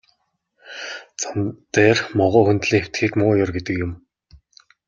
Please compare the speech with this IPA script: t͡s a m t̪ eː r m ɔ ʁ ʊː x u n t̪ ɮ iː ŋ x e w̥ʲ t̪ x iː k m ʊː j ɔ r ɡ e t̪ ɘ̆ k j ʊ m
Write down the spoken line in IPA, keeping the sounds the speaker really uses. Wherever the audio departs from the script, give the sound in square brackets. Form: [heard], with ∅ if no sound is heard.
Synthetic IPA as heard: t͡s a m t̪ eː r m ɔ ʁ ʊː x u n t̪ ɮ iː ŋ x e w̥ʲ t̪ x iː k m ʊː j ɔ r ɡ e t̪ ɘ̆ k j ʊ m